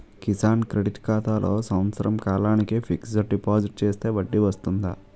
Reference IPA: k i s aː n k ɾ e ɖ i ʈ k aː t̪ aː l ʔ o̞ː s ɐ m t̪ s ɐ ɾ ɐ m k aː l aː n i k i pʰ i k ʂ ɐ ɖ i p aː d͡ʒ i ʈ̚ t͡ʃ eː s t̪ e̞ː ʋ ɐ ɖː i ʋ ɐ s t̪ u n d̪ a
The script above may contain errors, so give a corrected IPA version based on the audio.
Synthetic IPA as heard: k i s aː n k ɾ e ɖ i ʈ k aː t̪ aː l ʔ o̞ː s ɐ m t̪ s ɐ ɾ ɐ m k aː l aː n i k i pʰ i k s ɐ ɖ i p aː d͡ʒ i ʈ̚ t͡ʃ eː s t̪ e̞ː ʋ ɐ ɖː i ʋ ɐ s t̪ u n d̪ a